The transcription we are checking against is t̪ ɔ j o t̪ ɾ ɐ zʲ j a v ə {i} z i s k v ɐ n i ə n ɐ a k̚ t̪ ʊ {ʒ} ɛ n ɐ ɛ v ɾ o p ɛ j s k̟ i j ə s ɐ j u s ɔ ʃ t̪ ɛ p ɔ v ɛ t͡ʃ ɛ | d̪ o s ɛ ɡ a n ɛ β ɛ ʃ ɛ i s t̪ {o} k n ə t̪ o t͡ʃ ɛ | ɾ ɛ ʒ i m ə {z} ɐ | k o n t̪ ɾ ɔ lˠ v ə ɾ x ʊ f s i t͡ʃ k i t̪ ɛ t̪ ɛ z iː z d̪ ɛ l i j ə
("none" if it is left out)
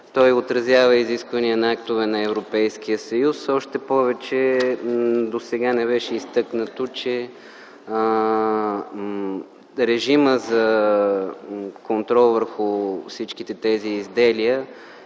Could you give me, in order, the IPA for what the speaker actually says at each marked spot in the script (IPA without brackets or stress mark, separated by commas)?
i, v, ɤ, z